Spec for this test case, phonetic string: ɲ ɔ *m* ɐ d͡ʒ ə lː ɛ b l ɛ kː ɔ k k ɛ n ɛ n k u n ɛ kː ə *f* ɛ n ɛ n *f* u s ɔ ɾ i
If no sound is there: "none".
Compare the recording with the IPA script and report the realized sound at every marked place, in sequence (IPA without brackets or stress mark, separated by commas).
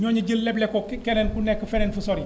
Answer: ɲ, f, f